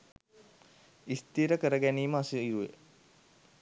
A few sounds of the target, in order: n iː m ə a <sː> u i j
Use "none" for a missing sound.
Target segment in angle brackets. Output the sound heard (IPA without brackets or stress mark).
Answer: s